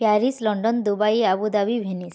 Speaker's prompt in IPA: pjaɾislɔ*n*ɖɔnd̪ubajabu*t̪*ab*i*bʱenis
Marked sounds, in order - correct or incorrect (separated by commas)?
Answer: incorrect, incorrect, correct